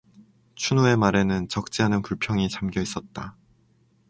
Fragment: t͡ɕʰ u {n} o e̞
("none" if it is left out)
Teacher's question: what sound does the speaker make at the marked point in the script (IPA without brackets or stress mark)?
n